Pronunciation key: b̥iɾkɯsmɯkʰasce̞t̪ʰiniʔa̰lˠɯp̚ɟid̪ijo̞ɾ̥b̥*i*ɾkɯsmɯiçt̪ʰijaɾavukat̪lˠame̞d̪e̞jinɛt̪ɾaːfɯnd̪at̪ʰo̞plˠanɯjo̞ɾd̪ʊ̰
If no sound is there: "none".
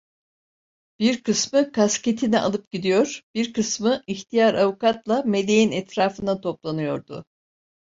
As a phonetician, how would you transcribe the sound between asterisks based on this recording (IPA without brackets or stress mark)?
i